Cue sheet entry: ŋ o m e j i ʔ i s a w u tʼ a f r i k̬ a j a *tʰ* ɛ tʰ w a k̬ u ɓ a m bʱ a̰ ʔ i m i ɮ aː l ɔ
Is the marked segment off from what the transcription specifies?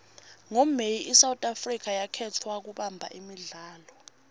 yes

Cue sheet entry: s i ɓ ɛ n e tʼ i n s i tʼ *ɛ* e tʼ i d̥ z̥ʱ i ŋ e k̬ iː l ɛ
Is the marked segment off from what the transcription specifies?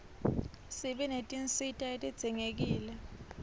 yes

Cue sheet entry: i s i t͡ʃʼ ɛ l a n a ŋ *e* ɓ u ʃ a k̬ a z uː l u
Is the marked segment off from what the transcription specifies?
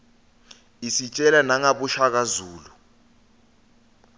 yes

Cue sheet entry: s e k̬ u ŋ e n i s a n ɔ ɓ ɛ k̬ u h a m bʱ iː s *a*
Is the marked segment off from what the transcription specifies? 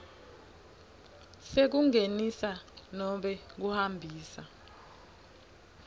no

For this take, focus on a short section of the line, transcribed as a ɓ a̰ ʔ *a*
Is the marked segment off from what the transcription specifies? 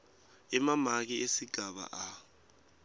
no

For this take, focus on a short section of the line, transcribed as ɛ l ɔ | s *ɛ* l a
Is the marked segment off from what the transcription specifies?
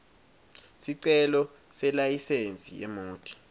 no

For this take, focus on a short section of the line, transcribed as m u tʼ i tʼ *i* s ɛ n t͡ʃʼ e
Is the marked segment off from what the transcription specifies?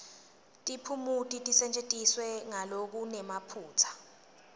no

